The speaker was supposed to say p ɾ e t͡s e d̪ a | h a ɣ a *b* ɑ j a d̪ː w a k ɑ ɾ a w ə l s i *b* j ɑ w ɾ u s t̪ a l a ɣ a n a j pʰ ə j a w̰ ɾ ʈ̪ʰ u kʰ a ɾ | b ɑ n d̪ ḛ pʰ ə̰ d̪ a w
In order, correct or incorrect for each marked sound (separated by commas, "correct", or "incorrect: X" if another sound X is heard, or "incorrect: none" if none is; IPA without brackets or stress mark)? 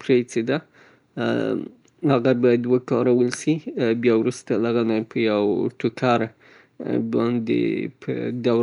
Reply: correct, correct